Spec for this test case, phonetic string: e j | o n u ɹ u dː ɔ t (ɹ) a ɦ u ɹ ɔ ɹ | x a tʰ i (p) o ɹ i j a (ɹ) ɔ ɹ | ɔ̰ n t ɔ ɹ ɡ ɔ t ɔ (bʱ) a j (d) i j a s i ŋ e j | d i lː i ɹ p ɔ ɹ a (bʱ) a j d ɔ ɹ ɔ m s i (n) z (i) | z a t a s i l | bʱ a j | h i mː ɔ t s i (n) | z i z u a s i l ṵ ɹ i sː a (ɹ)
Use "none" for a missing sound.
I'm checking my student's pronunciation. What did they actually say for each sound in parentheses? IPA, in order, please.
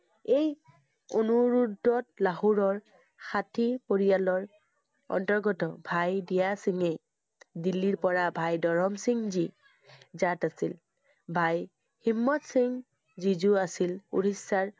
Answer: l, p, l, bʱ, d, bʱ, ŋ, i, ŋ, ɹ

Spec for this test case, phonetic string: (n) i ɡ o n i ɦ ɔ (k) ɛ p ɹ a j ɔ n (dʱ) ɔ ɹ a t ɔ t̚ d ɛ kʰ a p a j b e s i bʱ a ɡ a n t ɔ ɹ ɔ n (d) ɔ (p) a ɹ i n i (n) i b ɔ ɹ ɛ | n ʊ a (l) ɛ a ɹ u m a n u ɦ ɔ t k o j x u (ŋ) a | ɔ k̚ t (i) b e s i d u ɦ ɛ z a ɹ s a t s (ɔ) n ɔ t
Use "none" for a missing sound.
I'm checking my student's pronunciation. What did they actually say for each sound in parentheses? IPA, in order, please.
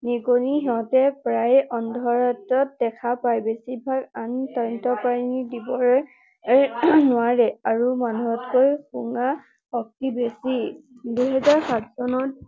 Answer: n, t, dʱ, t, p, d, ɹ, ŋ, i, ɔ

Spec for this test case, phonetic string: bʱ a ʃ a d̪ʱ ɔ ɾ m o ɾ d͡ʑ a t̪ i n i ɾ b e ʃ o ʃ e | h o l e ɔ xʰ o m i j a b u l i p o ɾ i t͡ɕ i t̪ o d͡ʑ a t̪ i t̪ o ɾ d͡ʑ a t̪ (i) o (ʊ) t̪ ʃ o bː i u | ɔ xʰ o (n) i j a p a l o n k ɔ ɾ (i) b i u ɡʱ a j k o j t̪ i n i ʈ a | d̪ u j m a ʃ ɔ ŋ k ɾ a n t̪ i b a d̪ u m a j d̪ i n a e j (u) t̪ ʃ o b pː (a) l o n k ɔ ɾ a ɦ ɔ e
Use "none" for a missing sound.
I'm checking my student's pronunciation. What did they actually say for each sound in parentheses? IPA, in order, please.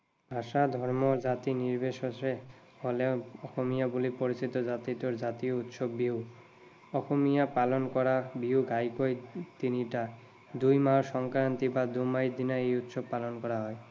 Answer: i, u, m, a, u, a

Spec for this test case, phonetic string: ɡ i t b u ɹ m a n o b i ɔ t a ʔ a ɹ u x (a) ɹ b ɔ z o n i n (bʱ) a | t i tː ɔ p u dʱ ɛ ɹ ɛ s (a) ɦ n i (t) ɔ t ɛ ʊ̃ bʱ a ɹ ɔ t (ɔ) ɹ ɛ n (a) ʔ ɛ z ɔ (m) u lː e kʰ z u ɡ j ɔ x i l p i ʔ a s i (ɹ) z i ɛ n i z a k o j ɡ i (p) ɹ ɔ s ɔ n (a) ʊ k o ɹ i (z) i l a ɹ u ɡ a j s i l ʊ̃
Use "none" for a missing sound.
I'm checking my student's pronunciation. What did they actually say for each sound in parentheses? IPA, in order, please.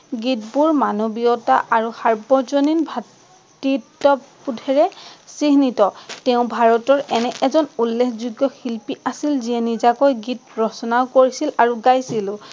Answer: a, bʱ, i, t, ɔ, ɛ, n, l, t, a, s

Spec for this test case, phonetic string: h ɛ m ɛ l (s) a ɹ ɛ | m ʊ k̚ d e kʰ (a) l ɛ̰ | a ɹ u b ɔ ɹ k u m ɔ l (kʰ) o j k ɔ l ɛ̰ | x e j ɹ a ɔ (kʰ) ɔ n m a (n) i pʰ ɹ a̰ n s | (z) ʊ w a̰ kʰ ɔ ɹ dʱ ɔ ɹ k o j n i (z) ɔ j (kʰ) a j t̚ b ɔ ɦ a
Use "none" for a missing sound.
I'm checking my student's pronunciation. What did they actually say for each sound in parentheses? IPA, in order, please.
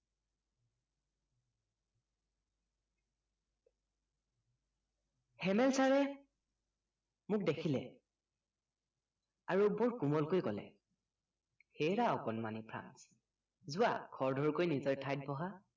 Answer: s, i, k, k, n, z, z, tʰ

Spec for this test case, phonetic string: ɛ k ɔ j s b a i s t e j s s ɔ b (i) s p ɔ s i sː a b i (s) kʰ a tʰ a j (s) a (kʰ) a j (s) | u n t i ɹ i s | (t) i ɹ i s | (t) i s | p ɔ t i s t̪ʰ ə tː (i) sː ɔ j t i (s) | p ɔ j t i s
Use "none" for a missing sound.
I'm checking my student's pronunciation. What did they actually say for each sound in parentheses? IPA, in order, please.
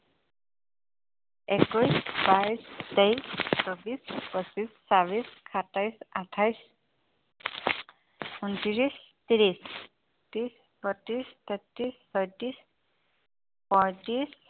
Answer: i, s, s, tʰ, s, t, t, i, s

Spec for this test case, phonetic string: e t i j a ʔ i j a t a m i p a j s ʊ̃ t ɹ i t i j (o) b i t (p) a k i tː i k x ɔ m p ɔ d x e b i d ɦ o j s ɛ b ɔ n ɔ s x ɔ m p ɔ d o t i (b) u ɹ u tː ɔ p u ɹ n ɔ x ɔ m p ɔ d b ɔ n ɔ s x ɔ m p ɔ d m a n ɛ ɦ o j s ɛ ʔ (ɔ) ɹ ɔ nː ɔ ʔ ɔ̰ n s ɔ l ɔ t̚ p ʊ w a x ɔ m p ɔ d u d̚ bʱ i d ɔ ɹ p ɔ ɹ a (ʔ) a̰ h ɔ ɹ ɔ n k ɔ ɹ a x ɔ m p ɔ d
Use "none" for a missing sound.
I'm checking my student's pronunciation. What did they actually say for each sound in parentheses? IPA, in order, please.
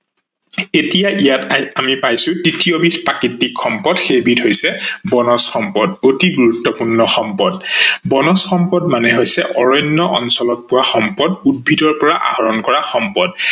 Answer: o, p, ɡ, ɔ, ʔ

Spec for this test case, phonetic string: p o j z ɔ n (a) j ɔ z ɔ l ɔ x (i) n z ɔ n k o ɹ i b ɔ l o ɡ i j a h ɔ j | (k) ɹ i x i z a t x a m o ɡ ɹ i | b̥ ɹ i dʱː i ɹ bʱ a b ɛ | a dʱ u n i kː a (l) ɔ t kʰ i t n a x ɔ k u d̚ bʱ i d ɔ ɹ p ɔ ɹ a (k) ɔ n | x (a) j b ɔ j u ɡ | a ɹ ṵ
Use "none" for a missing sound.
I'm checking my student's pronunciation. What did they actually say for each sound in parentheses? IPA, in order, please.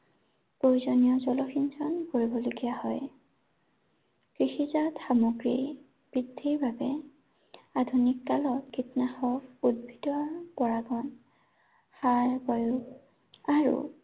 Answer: i, i, k, l, ɡ, a

